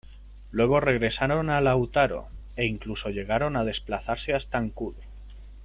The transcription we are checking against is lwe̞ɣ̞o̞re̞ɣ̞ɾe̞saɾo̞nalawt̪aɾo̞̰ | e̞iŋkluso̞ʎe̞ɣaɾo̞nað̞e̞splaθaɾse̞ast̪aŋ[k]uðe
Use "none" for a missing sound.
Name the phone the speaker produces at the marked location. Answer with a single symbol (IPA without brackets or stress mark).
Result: k